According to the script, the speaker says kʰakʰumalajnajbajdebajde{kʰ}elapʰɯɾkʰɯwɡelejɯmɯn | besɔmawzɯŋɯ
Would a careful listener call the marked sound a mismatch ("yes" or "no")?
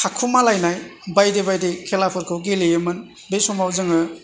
no